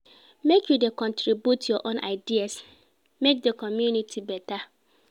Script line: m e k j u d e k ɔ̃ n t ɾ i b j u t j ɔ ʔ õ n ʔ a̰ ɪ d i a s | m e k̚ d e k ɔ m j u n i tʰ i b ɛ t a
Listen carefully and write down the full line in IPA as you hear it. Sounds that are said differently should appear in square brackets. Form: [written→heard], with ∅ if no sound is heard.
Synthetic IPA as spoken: m e k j u d e k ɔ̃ n t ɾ i b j u t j ɔ ʔ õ n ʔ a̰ ɪ d i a s | m e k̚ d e k ɔ m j u n i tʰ i b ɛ t a